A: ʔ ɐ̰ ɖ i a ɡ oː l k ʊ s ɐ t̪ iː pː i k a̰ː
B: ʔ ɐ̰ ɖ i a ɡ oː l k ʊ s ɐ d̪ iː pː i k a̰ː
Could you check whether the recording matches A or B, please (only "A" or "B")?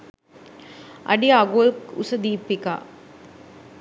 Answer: B